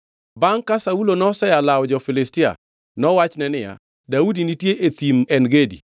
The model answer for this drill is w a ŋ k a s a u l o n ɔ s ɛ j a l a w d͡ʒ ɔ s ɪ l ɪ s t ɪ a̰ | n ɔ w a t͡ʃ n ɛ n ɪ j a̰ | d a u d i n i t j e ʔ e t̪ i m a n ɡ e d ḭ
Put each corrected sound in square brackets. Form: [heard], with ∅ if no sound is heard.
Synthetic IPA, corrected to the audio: [b] a ŋ k a s a u l o n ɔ s ɛ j a l a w d͡ʒ ɔ [f] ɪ l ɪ s t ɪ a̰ | n ɔ w a t͡ʃ n ɛ n ɪ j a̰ | d a u d i n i t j e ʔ e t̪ i m [ɛ] n ɡ e d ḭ